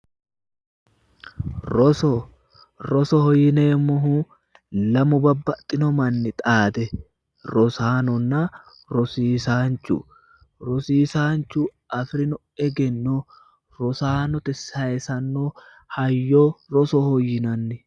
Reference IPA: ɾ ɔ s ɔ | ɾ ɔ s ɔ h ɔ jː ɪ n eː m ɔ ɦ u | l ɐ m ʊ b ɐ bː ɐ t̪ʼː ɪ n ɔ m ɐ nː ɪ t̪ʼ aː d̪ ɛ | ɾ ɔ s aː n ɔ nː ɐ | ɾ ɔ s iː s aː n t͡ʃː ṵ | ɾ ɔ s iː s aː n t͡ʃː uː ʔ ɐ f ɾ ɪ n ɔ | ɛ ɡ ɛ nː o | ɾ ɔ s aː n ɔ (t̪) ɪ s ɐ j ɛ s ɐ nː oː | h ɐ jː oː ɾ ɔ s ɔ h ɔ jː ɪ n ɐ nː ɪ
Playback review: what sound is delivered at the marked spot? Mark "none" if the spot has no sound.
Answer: t̪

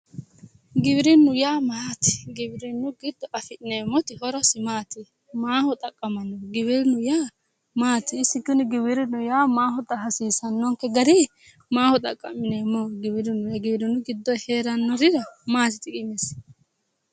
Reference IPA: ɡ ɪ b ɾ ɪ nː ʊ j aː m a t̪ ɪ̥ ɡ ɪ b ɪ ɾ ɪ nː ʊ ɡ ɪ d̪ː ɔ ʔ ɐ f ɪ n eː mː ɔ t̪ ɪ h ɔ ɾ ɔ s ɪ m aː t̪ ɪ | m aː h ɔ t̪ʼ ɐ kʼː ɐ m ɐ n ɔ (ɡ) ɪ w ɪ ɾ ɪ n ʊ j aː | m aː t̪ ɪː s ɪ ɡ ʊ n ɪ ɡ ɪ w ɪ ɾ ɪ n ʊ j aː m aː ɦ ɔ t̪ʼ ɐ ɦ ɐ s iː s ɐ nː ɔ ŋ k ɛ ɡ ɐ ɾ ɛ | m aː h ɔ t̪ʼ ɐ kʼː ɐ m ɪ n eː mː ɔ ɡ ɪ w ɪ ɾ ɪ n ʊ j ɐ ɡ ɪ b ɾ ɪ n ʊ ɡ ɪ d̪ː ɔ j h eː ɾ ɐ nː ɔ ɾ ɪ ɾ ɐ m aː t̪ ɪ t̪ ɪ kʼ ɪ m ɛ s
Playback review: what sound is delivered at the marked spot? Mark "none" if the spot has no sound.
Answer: ɡ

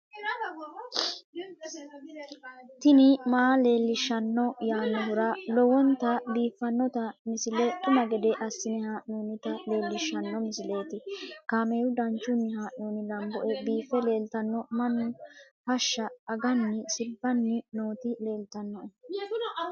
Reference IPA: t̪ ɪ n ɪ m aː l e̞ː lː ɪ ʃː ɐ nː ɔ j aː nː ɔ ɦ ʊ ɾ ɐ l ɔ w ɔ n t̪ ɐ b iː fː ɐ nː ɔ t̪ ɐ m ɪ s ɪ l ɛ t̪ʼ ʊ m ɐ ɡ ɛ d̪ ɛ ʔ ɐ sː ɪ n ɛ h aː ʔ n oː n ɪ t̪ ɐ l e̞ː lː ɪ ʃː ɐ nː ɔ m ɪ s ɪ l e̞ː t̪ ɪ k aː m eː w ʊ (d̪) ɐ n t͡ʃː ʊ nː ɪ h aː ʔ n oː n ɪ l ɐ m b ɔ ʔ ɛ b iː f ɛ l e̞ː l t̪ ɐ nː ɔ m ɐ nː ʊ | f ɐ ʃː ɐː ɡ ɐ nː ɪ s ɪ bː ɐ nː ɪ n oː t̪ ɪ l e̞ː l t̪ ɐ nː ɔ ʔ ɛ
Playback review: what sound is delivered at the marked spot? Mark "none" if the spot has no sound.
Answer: d̪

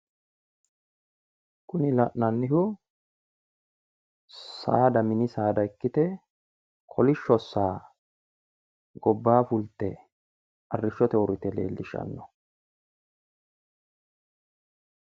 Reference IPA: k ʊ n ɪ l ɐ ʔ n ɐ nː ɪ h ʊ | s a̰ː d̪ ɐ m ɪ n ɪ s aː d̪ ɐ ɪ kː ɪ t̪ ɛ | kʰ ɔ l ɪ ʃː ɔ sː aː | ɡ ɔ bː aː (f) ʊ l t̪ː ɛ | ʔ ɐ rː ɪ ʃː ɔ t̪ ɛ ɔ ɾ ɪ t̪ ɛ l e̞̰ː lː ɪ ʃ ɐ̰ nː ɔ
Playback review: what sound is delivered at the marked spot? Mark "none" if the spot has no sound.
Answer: f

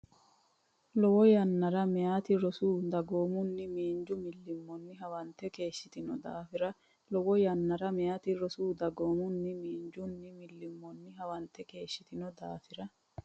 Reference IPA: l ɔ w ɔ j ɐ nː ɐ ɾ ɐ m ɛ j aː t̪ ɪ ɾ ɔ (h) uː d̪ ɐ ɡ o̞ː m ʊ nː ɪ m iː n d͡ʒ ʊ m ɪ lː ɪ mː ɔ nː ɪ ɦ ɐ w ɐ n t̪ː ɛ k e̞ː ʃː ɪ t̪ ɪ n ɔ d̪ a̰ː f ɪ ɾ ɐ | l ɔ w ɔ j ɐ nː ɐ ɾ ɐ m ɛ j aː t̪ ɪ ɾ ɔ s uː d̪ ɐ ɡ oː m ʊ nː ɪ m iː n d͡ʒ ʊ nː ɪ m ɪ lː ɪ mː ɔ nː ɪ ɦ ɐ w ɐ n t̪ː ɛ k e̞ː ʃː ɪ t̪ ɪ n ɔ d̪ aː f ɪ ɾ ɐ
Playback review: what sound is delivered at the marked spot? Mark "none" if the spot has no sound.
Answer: s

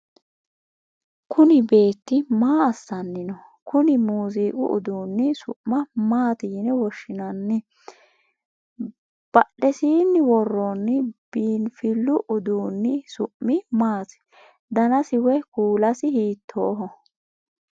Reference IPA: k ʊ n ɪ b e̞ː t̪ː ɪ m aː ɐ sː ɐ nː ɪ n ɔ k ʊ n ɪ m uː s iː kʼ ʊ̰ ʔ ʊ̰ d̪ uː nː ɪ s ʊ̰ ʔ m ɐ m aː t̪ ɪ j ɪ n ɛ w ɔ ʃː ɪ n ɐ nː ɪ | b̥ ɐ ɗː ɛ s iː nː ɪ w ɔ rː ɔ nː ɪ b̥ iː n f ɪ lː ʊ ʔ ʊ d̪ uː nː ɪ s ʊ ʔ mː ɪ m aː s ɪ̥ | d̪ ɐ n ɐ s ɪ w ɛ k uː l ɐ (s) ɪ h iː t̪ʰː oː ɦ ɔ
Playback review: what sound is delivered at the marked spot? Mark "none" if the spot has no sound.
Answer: s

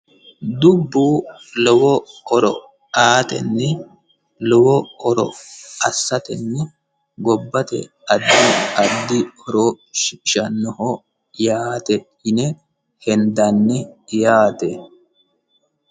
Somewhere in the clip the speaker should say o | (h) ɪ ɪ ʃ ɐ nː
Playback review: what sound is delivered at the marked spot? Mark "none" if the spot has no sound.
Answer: ʃ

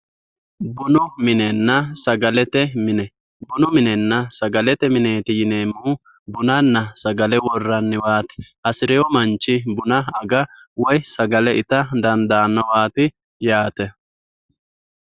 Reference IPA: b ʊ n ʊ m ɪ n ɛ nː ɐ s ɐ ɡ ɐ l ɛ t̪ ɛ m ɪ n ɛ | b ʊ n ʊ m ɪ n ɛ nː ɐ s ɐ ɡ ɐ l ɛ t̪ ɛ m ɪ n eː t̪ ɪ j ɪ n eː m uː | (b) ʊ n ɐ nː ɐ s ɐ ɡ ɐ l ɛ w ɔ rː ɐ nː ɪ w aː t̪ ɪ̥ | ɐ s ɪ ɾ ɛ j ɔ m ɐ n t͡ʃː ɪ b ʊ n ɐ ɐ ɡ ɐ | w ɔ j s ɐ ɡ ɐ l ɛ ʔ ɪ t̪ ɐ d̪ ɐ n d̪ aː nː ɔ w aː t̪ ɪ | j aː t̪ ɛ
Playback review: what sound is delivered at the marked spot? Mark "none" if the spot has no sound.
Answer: b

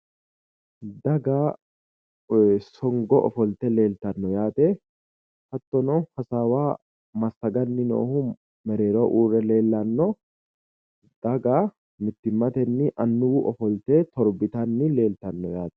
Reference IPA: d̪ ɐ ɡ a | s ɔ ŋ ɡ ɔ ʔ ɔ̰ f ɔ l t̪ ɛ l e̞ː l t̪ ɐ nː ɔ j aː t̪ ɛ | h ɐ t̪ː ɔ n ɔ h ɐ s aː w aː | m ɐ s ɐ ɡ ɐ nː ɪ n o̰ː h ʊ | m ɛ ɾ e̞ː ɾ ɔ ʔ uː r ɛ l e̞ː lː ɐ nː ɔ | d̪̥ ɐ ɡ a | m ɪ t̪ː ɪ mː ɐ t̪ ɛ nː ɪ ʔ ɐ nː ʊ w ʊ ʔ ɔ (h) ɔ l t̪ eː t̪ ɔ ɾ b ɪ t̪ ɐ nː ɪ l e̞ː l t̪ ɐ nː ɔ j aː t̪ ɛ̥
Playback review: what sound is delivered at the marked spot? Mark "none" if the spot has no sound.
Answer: f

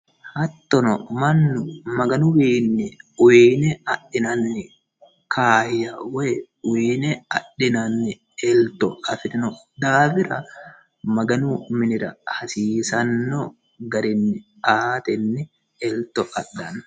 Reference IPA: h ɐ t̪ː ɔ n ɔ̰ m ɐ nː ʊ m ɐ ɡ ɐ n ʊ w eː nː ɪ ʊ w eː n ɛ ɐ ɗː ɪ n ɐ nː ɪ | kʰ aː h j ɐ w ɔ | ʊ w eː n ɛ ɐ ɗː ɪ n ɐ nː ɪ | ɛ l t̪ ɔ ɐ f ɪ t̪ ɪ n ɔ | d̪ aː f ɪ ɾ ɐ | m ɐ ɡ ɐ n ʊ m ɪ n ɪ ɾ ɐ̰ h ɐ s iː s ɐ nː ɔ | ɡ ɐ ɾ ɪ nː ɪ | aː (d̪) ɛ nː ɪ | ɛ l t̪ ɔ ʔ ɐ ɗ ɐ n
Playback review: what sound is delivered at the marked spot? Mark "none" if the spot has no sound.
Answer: t̪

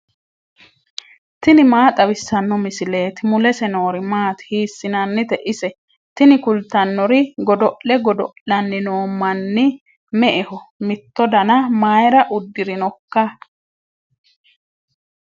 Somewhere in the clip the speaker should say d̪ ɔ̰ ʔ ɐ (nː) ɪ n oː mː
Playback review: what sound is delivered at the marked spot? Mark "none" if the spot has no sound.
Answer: nː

